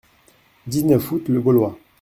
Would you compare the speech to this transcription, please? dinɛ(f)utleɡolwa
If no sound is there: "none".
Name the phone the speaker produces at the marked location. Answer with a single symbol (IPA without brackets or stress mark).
f